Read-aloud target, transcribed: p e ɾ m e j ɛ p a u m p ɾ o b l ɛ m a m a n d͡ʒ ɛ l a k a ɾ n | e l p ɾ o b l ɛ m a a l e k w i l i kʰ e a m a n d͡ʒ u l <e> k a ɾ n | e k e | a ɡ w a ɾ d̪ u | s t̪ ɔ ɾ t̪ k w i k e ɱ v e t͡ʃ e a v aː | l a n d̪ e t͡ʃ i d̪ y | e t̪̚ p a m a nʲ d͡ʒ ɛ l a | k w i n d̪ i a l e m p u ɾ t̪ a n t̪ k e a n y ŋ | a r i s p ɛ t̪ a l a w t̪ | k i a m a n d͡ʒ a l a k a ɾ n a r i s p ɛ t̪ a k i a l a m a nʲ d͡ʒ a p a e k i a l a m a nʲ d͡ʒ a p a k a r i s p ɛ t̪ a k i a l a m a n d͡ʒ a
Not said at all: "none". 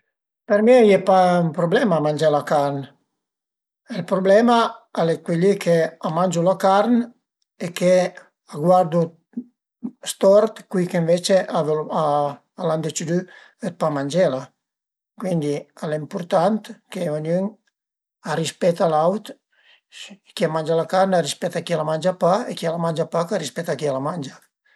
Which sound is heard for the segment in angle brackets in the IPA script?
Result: a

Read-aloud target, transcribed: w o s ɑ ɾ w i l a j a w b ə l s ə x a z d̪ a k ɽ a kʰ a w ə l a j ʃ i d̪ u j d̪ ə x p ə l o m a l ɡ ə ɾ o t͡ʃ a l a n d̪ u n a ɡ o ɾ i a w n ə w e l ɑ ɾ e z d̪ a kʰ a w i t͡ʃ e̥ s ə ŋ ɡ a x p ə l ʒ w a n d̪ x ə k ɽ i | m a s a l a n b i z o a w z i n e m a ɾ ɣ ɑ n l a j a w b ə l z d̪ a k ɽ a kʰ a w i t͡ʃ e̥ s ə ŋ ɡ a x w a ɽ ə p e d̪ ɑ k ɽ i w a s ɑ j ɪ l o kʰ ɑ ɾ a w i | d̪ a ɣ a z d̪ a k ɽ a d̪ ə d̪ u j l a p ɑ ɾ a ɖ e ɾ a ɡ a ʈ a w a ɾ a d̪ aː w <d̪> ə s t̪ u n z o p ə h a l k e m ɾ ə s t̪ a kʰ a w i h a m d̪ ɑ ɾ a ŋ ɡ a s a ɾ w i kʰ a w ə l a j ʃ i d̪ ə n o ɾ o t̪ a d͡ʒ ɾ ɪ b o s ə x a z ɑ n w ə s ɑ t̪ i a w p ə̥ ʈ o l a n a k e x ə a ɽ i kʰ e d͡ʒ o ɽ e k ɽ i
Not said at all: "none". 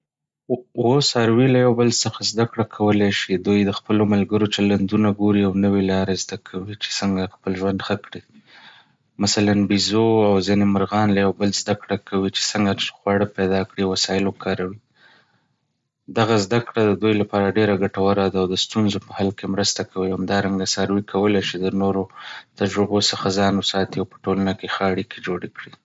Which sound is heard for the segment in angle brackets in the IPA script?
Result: d̪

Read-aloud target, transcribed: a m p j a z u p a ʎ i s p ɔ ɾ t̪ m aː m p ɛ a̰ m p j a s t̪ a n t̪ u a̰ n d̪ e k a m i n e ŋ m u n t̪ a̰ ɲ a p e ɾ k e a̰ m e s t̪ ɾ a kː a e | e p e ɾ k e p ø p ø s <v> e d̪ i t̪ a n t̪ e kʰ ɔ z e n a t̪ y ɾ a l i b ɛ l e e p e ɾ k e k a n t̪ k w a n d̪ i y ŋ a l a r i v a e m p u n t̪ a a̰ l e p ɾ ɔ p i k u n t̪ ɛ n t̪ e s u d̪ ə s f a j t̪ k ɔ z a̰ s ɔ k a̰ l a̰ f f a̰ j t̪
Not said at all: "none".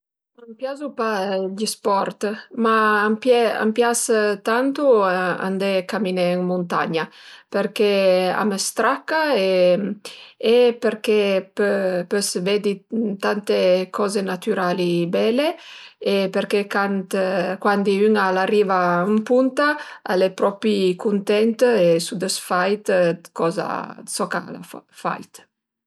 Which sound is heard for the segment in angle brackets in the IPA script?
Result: v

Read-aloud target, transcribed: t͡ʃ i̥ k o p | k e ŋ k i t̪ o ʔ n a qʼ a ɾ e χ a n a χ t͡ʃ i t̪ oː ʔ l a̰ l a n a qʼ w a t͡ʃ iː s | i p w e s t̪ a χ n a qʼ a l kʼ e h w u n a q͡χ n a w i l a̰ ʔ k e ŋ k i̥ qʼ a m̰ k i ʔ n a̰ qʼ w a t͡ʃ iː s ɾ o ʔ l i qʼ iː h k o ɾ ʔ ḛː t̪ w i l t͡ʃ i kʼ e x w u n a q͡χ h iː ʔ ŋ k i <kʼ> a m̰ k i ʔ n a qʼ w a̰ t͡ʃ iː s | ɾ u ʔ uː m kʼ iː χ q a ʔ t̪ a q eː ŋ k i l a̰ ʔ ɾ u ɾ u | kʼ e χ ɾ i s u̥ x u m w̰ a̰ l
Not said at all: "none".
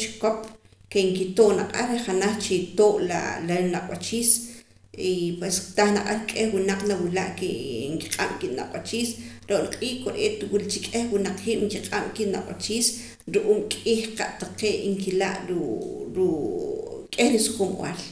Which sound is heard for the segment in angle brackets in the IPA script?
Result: qʼ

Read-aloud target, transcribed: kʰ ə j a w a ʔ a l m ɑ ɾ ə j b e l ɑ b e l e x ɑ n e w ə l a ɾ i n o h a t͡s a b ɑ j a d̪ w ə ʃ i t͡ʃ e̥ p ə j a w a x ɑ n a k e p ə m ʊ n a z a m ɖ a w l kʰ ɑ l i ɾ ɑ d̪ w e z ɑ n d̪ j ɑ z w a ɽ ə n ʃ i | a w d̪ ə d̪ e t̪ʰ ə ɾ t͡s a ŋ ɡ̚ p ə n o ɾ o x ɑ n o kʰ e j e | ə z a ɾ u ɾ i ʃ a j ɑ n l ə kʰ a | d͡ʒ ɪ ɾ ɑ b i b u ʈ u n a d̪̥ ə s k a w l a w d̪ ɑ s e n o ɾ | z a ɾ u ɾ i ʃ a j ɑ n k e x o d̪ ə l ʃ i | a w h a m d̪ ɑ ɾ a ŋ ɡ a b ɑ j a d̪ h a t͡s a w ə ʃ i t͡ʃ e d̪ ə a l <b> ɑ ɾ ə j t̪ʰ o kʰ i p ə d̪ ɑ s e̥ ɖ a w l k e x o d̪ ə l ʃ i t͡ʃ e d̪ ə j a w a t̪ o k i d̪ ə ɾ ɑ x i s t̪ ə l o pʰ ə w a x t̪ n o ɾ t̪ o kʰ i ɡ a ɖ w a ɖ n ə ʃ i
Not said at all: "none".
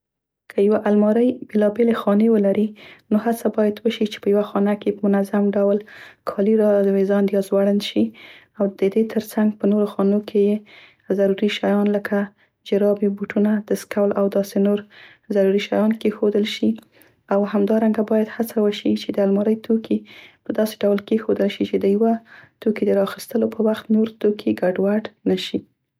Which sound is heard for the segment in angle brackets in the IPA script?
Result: m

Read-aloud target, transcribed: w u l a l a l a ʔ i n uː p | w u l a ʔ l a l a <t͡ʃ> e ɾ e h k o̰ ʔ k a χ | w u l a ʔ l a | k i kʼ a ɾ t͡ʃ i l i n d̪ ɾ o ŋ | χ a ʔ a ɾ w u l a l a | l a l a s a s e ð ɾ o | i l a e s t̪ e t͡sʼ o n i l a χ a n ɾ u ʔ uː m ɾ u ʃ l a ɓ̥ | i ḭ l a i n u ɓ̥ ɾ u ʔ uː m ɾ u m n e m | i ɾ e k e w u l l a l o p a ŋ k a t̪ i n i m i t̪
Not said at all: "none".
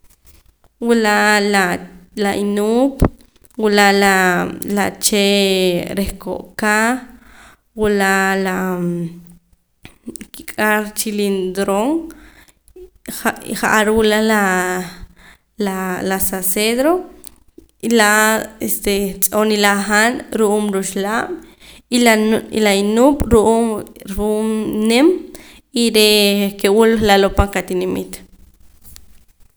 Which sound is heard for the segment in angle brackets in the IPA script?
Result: t͡ʃ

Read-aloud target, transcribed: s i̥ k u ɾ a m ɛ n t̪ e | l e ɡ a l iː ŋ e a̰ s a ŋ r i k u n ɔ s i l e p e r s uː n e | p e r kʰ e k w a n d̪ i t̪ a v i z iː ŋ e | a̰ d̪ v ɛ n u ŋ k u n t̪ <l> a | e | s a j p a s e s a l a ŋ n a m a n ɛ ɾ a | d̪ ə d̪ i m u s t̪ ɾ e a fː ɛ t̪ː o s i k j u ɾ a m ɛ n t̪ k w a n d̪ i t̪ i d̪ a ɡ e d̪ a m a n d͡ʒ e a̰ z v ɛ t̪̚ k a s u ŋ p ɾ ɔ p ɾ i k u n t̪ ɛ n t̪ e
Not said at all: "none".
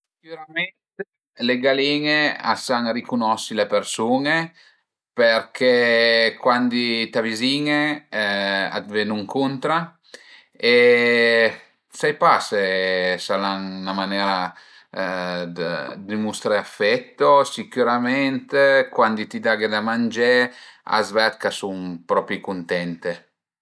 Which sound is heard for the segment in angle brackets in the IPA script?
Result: ɾ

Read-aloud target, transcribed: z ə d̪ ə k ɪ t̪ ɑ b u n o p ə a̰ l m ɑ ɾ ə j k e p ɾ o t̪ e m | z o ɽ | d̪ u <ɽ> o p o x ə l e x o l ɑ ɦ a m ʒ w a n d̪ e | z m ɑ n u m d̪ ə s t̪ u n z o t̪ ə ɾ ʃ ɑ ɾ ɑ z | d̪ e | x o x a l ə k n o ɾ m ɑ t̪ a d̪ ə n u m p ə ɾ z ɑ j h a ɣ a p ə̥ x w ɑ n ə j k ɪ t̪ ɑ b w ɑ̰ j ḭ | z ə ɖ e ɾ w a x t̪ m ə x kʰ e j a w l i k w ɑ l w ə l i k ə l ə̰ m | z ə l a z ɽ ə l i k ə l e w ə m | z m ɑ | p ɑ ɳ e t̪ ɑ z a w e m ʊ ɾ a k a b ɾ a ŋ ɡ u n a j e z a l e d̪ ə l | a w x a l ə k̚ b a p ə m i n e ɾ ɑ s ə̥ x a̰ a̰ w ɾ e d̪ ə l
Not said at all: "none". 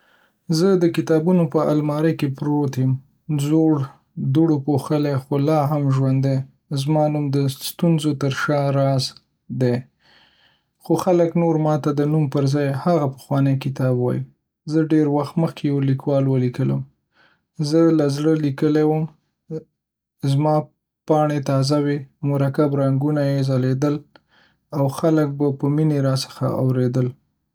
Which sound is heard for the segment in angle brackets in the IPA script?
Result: ɽ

